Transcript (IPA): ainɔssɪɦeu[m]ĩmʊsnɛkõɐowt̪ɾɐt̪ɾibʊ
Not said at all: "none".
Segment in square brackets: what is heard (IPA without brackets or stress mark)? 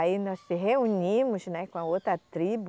ɲ